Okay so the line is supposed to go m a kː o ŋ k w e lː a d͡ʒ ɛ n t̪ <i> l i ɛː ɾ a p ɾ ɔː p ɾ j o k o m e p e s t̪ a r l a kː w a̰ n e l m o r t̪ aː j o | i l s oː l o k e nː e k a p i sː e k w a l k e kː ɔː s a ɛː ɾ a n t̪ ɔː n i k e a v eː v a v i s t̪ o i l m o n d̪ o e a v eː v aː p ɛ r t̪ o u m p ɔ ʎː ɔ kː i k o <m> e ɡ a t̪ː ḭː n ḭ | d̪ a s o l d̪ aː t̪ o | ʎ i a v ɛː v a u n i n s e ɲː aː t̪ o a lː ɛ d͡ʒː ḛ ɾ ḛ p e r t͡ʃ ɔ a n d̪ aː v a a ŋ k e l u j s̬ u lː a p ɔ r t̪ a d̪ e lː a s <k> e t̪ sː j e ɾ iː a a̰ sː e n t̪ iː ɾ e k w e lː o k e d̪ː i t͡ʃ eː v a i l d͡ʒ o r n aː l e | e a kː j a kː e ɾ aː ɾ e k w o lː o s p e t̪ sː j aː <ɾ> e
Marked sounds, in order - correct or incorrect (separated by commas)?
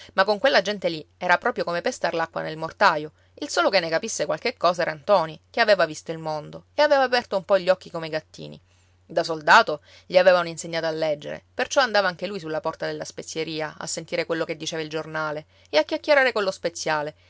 incorrect, correct, incorrect, incorrect